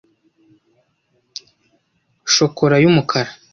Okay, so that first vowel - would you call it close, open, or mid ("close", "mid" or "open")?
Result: mid